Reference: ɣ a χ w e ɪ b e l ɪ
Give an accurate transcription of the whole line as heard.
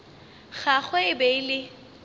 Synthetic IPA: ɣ a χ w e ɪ b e l ɪ